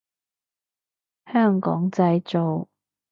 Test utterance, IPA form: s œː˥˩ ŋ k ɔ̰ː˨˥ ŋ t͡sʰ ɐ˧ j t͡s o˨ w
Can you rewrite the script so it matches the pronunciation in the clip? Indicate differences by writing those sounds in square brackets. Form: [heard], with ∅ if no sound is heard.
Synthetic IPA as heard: [h] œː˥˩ ŋ k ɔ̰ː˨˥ ŋ [t͡s] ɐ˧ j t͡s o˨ w